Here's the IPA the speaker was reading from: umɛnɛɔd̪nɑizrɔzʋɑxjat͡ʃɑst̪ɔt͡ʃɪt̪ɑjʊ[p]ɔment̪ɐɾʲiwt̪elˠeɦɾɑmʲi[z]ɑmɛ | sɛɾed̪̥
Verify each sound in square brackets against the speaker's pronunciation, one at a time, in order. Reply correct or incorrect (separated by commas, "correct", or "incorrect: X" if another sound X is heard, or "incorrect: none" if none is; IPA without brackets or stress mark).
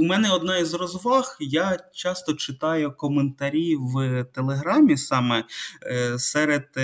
incorrect: k, incorrect: s